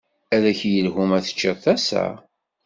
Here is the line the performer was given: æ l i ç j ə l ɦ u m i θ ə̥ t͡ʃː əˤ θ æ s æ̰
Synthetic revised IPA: æ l æ ç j ə l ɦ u m æ θ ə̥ t͡ʃː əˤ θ æ s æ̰